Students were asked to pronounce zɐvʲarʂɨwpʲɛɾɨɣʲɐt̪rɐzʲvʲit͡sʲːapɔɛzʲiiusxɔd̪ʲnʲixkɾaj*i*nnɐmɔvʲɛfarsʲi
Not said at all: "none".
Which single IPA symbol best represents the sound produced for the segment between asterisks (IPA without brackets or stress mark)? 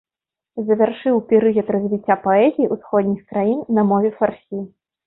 i